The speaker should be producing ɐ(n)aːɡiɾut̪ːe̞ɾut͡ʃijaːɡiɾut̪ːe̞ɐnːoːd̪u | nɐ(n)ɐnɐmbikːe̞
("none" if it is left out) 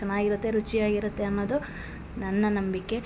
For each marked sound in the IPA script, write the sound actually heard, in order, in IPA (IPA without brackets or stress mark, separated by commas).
n, nː